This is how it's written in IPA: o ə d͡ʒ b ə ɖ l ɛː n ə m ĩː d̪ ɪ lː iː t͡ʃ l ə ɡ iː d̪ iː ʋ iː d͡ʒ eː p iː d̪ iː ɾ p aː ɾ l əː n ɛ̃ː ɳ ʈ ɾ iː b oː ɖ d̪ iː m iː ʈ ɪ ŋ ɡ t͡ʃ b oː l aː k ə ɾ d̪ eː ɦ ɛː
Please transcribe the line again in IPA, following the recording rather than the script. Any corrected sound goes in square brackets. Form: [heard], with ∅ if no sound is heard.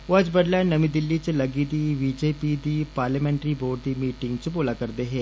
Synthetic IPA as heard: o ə d͡ʒ b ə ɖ l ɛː n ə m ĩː d̪ ɪ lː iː t͡ʃ l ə ɡ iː d̪ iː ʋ iː d͡ʒ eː p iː d̪ iː [∅] p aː ɾ l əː [m] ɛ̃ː ɳ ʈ ɾ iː b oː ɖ d̪ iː m iː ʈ ɪ ŋ ɡ t͡ʃ b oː l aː k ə ɾ d̪ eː ɦ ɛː